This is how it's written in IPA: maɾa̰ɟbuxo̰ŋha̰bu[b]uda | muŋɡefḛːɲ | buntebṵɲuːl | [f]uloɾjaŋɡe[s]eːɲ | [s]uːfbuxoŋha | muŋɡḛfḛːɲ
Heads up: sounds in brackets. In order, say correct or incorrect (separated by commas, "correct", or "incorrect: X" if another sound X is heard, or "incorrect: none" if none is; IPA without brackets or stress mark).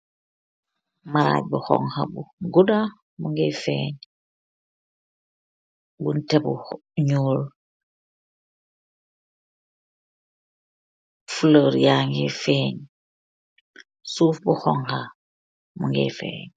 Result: incorrect: ɡ, correct, incorrect: f, correct